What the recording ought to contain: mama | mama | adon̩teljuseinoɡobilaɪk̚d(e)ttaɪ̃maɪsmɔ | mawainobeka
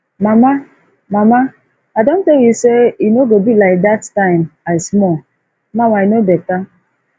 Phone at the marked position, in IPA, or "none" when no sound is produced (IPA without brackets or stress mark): a